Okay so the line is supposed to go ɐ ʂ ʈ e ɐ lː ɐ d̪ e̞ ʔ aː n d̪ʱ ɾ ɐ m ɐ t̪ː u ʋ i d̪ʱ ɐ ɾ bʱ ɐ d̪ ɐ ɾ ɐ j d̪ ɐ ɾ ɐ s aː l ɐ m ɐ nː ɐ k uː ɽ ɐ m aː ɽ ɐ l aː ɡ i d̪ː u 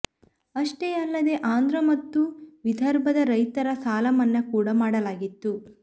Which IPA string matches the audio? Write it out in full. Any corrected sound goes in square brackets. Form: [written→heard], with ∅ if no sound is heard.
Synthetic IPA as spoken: ɐ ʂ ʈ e ɐ lː ɐ d̪ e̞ ʔ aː n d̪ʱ ɾ ɐ m ɐ t̪ː u ʋ i d̪ʱ ɐ ɾ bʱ ɐ d̪ ɐ ɾ ɐ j [d̪→t̪] ɐ ɾ ɐ s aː l ɐ m ɐ nː ɐ k uː ɽ ɐ m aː ɽ ɐ l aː ɡ i [d̪ː→t̪ː] u